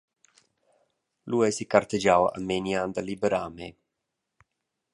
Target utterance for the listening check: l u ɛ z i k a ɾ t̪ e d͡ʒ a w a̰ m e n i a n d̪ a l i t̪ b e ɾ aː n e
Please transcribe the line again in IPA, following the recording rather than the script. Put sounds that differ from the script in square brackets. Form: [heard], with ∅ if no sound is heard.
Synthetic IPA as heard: l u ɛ [s] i k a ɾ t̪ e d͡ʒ a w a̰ m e n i a n d̪ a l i [∅] b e ɾ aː [m] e